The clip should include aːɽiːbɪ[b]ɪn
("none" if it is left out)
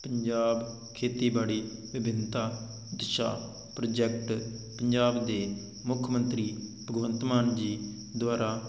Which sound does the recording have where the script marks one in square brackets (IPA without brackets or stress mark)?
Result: b